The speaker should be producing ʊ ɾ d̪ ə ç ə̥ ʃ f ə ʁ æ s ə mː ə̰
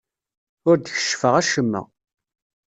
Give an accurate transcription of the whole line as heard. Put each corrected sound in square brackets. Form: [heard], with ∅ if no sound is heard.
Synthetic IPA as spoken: ʊ ɾ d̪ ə ç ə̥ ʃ f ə ʁ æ [ʃ] ə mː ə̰